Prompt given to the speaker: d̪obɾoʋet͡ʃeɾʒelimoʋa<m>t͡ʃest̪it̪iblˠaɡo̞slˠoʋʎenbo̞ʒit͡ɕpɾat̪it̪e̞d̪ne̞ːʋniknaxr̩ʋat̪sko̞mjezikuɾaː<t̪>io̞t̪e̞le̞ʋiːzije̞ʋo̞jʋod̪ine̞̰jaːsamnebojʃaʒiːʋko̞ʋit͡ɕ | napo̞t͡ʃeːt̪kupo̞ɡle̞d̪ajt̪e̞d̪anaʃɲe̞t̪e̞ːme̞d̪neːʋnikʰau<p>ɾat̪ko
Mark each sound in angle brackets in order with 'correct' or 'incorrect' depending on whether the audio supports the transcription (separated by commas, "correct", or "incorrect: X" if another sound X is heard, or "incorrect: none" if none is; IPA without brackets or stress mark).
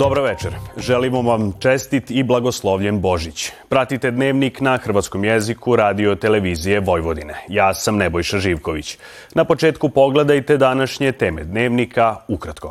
correct, incorrect: d̪, incorrect: k